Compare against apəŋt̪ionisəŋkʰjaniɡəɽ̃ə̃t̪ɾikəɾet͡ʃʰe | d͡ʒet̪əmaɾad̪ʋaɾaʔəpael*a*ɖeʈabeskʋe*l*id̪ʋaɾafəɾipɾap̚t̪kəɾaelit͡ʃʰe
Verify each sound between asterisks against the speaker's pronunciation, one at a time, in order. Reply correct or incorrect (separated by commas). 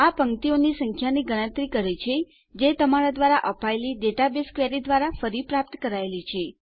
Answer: incorrect, incorrect